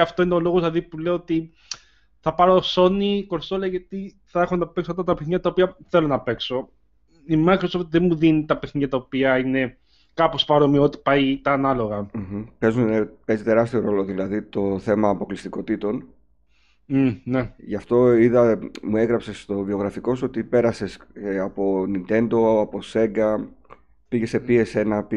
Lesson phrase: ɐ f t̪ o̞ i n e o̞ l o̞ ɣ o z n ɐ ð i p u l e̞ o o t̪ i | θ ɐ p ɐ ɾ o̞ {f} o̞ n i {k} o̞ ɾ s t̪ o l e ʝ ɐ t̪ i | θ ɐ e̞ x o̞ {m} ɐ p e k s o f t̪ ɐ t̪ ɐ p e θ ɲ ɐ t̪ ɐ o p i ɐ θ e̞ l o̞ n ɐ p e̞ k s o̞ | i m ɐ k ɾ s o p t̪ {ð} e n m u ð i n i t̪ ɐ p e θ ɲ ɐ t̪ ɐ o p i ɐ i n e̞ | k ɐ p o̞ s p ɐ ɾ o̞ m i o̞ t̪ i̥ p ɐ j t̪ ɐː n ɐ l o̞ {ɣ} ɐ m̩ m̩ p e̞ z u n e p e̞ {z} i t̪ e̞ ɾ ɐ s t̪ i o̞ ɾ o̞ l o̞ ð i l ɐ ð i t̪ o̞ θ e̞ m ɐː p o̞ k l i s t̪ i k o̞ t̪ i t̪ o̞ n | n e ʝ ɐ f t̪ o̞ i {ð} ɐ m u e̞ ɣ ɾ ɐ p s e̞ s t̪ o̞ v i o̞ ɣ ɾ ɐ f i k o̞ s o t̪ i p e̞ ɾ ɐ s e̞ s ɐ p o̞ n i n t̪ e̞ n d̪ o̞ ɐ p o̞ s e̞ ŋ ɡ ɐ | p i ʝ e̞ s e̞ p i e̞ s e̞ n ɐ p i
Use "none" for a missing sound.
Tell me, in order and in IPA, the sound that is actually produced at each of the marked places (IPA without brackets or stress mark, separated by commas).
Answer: s, k, n, ð, ɣ, z, ð